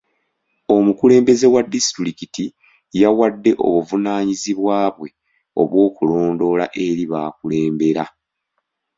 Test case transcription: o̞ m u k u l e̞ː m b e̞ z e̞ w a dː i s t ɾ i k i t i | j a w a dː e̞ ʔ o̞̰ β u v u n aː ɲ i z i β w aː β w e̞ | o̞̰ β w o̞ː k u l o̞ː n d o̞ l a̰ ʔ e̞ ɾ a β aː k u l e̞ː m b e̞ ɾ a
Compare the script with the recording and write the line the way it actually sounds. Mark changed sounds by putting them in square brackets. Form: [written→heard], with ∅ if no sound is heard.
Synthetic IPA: o̞ m u k u l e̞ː m b e̞ z e̞ w a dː i s t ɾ i k i t i | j a w a dː e̞ ʔ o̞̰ β u v u n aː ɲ i z i β w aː β w e̞ | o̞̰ β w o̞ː k u l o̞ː n d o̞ l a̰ ʔ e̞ ɾ [a→i] β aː k u l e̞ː m b e̞ ɾ a